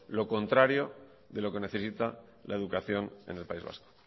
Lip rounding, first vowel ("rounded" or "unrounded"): rounded